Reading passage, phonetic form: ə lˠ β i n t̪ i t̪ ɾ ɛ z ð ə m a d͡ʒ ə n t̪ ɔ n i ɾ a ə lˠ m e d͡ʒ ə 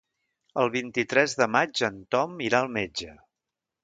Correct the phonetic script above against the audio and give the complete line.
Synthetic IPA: ə lˠ β i n t̪ i t̪ ɾ ɛ z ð ə m a d͡ʒ ə n t̪ ɔ m i ɾ a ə lˠ m e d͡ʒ ə